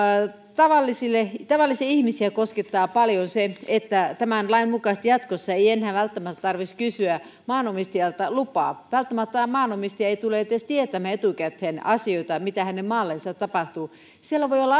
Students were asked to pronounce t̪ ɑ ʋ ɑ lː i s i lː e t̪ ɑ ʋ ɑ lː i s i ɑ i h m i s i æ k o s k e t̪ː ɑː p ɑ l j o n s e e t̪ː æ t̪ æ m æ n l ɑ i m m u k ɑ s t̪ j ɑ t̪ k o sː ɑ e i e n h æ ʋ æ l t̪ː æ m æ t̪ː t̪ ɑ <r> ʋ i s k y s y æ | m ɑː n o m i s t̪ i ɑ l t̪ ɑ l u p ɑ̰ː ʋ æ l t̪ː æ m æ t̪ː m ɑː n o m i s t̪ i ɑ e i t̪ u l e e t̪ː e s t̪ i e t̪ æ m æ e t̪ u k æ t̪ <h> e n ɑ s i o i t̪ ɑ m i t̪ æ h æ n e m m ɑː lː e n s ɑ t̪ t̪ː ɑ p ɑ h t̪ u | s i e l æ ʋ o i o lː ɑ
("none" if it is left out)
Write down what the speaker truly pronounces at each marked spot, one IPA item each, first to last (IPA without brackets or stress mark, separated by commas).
r, h